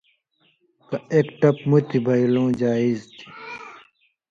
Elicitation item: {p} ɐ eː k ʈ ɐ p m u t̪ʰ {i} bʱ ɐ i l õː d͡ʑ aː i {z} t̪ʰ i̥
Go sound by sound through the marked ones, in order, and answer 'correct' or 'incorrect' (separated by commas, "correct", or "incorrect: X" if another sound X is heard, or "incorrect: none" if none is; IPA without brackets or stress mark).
incorrect: k, correct, correct